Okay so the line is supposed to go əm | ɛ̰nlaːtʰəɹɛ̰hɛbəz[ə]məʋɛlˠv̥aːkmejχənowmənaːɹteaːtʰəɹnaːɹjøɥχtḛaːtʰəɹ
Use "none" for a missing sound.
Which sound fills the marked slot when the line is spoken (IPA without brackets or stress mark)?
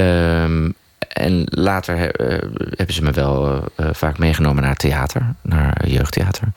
ə